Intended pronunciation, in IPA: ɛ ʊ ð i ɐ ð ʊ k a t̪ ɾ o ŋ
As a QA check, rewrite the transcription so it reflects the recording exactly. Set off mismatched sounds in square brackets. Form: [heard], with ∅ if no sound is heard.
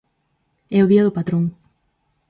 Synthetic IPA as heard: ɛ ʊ ð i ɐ ð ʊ [p] a t̪ ɾ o ŋ